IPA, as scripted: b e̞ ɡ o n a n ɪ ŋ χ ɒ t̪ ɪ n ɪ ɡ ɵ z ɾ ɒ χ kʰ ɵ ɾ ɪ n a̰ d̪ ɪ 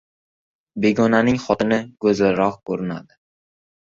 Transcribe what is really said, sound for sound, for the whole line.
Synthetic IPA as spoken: b e̞ ɡ ɒ n a n ɪ ŋ χ ɒ t̪ ɪ n ɪ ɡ ɵ z ɾ ɒ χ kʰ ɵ ɾ ɪ n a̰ d̪ ɪ